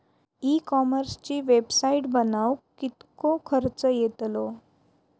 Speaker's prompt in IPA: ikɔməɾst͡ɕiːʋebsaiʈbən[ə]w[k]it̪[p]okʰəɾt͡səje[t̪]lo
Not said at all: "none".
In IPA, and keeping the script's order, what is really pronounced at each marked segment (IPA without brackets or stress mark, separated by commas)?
a, k, k, t̪